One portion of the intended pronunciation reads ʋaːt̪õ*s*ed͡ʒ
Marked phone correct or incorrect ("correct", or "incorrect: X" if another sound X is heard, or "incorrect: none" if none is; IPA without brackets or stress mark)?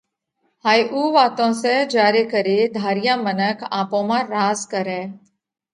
correct